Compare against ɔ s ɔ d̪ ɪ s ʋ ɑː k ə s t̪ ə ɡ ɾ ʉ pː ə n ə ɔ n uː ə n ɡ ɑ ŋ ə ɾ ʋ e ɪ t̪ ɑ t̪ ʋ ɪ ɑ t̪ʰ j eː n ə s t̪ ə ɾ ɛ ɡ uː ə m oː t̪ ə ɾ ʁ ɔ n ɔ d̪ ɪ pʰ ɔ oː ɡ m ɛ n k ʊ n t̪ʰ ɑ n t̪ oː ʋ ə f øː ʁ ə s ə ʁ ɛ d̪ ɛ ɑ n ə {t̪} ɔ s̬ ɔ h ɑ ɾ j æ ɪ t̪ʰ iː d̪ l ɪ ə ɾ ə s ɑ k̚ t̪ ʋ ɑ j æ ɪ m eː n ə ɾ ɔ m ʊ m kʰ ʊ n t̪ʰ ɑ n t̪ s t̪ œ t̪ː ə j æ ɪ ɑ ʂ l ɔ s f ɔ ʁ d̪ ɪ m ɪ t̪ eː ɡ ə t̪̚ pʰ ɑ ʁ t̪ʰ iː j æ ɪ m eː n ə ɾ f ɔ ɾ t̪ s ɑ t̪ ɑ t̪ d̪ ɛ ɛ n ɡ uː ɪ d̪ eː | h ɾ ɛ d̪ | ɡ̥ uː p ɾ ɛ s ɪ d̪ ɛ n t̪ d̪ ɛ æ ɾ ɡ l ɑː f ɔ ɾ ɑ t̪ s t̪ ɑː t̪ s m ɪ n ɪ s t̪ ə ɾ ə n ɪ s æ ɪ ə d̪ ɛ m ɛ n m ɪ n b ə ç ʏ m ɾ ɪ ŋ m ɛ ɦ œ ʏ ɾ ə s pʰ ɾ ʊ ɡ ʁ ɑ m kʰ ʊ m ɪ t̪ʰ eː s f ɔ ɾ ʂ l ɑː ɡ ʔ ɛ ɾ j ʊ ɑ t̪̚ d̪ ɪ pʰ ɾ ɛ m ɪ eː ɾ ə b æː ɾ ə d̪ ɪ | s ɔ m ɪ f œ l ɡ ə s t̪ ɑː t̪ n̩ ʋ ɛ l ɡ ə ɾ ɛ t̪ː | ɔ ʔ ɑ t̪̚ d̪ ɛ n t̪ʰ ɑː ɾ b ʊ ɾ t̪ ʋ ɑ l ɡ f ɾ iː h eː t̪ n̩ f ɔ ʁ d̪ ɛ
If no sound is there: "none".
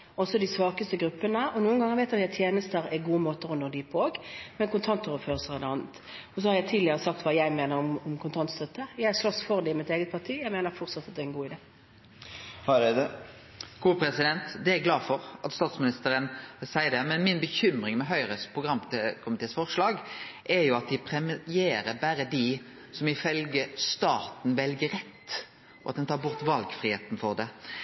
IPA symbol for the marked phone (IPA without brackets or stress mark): t̪